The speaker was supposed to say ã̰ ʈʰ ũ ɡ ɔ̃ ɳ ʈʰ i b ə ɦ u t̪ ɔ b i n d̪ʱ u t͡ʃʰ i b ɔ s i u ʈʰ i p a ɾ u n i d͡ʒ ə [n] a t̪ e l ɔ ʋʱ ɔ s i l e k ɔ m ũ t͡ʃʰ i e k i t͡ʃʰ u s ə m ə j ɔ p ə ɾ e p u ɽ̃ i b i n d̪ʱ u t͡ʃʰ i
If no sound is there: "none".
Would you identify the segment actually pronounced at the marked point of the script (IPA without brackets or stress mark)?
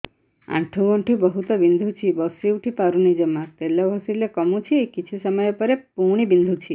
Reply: m